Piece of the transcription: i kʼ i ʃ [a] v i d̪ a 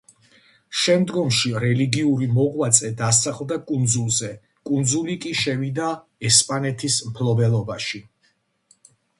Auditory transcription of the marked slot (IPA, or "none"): ɛ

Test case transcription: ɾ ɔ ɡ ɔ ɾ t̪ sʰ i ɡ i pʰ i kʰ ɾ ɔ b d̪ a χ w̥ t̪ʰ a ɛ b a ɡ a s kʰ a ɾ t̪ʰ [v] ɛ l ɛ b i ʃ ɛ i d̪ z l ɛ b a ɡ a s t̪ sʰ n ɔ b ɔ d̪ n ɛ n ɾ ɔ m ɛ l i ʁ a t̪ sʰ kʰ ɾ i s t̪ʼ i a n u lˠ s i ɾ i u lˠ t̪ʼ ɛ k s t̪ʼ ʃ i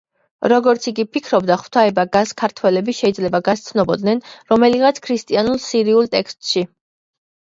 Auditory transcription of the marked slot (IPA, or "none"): w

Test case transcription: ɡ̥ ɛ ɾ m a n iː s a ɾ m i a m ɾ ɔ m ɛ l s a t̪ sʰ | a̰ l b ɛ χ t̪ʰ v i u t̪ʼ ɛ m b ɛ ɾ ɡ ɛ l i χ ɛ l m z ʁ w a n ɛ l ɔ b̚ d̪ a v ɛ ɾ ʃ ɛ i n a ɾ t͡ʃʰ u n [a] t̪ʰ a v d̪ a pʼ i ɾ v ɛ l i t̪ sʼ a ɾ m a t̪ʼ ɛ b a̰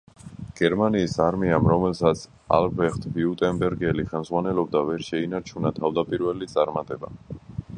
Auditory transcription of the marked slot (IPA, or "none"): a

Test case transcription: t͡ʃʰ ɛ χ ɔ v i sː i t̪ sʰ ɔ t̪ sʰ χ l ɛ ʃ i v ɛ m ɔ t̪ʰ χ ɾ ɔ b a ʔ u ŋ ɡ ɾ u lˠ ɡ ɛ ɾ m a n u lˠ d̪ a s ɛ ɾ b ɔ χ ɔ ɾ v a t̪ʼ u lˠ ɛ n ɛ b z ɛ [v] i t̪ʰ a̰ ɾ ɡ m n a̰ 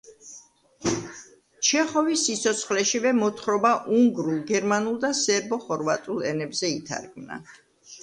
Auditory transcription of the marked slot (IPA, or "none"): none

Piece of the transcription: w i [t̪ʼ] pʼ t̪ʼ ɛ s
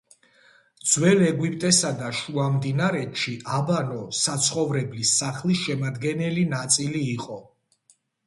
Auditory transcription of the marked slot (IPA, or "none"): none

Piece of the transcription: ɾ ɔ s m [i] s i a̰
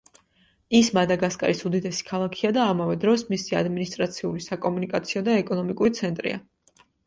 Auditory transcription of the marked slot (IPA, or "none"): i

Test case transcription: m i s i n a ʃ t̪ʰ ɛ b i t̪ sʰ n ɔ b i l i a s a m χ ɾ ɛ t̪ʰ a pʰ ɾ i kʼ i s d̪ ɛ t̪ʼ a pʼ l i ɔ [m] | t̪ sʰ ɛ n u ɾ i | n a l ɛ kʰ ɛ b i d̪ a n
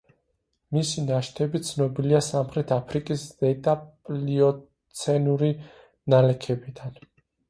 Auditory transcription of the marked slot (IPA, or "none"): none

